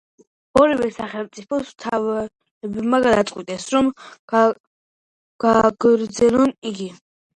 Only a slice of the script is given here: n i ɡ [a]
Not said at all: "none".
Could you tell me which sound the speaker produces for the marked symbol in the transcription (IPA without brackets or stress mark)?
i